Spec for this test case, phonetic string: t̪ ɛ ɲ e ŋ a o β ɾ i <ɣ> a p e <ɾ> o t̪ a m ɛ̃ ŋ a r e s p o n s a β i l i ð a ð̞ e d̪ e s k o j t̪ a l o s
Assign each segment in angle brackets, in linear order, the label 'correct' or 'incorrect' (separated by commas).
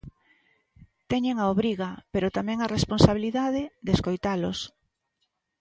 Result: correct, correct